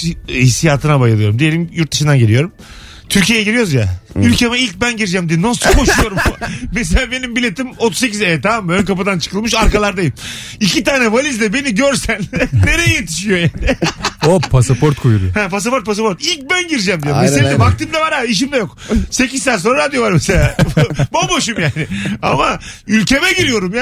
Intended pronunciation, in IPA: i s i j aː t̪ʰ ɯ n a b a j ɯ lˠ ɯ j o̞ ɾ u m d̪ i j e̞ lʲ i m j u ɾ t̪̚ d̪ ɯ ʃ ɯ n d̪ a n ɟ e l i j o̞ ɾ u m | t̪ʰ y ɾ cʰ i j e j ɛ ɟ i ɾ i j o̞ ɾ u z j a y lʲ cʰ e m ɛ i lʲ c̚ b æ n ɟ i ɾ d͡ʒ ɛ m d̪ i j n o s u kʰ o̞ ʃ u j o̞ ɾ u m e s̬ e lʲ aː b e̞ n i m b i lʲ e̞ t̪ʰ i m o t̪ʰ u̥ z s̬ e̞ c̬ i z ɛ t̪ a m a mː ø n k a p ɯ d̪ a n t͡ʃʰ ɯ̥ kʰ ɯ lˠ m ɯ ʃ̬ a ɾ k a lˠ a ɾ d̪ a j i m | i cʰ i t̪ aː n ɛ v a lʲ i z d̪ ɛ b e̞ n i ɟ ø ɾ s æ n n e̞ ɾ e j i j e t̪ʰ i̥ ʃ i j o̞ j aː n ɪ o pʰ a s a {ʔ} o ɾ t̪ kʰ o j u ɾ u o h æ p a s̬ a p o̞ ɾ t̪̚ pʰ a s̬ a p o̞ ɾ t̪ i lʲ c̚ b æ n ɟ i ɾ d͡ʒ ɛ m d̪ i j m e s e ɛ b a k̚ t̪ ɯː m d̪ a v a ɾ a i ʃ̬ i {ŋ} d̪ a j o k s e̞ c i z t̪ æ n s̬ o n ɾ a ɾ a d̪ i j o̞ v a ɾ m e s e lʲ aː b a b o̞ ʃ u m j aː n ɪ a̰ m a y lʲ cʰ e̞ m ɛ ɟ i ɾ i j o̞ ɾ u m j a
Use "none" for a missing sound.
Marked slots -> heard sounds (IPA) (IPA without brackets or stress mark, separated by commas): p, m